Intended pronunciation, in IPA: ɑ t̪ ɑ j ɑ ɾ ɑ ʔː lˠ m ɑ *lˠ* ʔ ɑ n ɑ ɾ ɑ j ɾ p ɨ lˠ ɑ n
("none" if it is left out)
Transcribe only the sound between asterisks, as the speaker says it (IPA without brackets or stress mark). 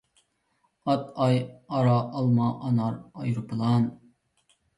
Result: none